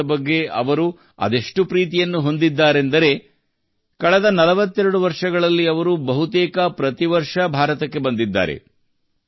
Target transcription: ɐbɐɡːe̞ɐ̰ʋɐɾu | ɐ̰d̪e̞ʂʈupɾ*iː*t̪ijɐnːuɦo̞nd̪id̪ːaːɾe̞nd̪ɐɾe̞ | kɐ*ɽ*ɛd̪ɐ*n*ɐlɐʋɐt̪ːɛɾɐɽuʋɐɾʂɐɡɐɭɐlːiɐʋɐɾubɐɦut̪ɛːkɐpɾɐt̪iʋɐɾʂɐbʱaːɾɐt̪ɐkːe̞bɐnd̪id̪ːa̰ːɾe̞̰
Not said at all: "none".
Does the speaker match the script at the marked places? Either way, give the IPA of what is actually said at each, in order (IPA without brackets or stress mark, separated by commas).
iː, ɭ, n